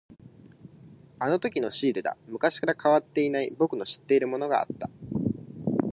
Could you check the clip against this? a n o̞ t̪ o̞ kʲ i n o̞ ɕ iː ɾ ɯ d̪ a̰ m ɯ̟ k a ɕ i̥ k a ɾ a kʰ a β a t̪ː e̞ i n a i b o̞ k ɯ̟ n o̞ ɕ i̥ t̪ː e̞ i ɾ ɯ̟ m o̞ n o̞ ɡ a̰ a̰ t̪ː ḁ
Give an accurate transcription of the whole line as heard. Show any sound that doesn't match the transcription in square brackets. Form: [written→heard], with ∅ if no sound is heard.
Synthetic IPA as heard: a n o̞ t̪ o̞ kʲ i n o̞ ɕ iː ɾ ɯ d̪ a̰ m ɯ̟ k a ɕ i̥ k a ɾ a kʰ a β a t̪ː e̞ i n a i b o̞ k ɯ̟ n o̞ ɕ i̥ t̪ː e̞ i ɾ ɯ̟ m o̞ n o̞ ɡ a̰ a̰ t̪ː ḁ